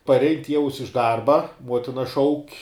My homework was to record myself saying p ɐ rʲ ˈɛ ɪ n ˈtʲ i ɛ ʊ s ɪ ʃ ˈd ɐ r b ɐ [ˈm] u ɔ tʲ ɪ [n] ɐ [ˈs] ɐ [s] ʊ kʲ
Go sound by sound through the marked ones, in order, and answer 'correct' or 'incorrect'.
correct, correct, incorrect, incorrect

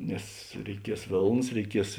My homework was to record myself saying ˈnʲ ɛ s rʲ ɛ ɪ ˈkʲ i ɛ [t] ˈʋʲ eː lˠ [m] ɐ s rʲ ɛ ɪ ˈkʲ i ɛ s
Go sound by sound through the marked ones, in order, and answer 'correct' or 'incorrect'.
incorrect, incorrect

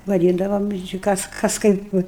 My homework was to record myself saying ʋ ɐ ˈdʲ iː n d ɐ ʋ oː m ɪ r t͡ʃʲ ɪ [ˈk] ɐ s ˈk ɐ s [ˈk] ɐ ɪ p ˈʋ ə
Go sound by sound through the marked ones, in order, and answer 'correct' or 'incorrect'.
correct, correct

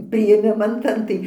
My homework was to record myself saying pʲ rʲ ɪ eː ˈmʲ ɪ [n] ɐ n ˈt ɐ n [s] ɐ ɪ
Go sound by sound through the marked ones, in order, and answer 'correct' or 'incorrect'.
incorrect, incorrect

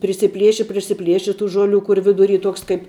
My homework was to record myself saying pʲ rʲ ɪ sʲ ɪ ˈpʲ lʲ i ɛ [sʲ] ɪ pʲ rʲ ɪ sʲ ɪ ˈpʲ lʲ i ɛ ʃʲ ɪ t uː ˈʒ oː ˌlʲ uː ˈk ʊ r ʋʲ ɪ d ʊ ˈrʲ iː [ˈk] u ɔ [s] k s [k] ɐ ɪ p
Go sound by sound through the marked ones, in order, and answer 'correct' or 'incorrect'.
incorrect, incorrect, incorrect, correct

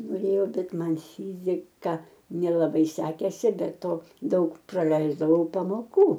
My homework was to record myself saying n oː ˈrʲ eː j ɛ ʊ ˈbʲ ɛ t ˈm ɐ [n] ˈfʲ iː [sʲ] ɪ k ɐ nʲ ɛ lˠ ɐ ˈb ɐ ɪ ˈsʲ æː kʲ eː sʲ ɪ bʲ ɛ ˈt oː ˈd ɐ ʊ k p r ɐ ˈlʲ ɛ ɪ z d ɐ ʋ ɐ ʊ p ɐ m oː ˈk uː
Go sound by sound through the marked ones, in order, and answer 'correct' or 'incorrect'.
correct, incorrect

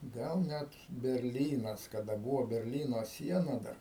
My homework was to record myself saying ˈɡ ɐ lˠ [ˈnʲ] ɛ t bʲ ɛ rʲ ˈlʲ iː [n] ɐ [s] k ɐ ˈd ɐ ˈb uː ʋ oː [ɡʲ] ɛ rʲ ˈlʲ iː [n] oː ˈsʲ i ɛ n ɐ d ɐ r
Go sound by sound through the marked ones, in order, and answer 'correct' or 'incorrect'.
correct, correct, correct, incorrect, correct

